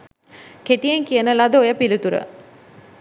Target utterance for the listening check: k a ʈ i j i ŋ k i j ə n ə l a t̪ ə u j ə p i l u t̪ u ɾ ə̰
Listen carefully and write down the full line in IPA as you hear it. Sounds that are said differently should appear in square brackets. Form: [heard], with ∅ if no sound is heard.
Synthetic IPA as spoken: k [e] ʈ i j [e] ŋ k i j ə n ə l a [d̪] ə [o] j ə p i l u t̪ u ɾ ə̰